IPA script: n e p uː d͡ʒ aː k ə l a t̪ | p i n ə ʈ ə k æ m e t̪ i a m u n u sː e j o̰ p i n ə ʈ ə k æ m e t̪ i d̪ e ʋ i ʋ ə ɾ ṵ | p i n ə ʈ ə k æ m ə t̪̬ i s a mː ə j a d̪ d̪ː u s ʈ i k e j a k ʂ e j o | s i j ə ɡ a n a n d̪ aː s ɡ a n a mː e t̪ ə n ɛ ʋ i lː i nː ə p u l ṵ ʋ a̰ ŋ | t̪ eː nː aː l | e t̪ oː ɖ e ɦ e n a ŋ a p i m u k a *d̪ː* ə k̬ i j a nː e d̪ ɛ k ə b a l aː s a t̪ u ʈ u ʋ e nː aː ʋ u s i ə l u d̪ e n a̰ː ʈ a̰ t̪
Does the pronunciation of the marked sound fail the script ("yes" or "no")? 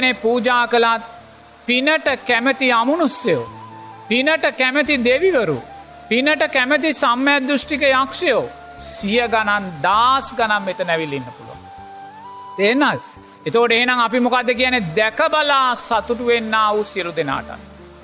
no